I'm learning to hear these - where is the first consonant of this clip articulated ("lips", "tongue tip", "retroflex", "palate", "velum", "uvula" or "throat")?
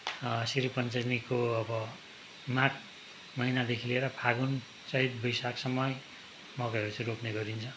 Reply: tongue tip